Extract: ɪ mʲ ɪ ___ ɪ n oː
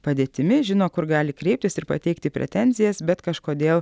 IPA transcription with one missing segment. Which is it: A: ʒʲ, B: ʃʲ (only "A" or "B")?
A